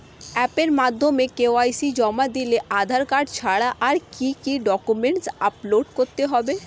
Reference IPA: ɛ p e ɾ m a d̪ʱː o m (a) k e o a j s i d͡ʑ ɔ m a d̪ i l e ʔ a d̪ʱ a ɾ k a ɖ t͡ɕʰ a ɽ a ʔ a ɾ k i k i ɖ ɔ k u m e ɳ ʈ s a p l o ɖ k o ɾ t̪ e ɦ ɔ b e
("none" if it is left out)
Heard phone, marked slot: e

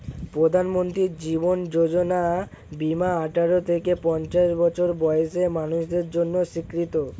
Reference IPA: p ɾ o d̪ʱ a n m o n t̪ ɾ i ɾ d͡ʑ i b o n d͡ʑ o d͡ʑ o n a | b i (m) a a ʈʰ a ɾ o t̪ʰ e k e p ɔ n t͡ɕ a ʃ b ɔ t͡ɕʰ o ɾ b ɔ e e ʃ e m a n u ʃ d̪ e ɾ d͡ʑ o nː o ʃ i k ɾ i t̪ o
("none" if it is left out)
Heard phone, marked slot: m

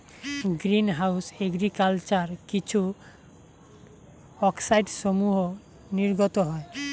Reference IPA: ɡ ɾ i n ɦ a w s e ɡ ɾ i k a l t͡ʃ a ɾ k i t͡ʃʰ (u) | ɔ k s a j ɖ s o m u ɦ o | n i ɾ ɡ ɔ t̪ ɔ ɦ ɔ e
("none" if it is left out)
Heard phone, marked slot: u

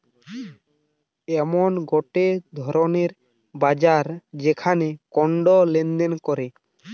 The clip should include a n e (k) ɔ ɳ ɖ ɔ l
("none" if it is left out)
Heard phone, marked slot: k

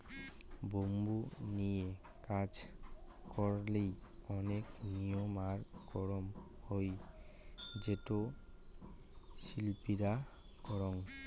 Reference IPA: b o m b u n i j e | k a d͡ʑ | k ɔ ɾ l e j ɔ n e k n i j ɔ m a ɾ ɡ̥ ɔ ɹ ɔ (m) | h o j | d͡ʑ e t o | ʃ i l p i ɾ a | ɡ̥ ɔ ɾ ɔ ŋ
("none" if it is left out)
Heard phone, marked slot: m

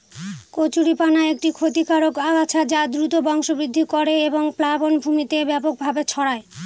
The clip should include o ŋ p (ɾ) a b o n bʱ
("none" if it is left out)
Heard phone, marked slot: l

